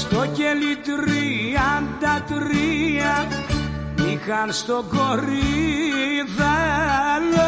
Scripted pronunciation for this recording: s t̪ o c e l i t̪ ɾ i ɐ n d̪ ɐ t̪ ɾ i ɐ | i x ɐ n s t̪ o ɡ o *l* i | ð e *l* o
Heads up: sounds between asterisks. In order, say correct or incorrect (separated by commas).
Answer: incorrect, correct